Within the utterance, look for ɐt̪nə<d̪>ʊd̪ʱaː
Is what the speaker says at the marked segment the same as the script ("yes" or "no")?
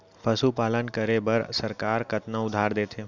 no